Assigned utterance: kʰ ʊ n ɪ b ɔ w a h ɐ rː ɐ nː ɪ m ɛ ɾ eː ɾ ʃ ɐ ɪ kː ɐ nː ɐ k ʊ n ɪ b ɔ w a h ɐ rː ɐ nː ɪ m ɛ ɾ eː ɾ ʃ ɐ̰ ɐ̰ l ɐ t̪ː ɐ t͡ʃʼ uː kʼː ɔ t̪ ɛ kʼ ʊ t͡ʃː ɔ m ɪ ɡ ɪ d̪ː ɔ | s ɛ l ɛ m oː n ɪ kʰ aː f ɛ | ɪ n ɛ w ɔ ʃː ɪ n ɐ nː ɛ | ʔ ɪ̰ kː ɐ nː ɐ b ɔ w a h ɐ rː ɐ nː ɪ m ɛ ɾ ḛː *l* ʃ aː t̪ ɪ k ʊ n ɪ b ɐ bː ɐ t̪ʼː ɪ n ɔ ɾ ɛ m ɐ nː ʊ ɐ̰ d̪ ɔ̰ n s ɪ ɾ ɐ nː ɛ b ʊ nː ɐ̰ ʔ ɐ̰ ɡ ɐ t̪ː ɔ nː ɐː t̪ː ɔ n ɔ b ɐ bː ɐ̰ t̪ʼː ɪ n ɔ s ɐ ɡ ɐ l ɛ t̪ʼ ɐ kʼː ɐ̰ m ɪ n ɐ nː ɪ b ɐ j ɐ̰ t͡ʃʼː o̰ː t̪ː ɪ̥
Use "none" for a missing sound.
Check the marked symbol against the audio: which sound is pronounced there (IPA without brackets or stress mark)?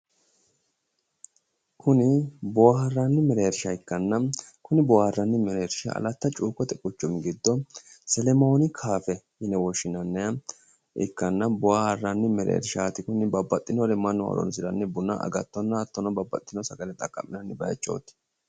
ɾ